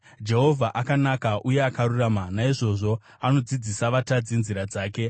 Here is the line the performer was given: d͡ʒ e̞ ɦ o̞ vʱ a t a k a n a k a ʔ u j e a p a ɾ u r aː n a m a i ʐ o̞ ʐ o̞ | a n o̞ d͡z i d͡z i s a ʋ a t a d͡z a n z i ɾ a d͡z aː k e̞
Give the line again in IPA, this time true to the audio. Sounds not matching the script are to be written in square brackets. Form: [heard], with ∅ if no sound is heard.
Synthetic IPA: d͡ʒ e̞ ɦ o̞ vʱ a [ʔ] a k a n a k a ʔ u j e a [k] a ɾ u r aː [m] a [n] a i ʐ o̞ ʐ o̞ | a n o̞ d͡z i d͡z i s a ʋ a t a d͡z [i] n z i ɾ a d͡z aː k e̞